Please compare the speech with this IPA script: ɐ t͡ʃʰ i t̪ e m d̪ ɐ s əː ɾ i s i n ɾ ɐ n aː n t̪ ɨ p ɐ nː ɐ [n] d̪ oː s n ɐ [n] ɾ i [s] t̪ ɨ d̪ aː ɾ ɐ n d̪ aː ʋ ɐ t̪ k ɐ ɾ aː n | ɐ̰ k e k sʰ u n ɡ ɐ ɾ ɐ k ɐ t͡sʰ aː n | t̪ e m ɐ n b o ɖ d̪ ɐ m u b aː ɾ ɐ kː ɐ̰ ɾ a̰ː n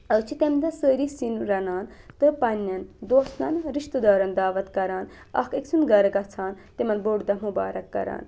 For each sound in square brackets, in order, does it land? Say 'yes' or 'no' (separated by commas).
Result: yes, yes, no